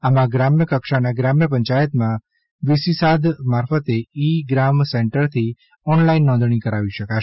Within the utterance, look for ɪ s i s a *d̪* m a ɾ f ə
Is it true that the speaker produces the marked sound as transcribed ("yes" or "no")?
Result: yes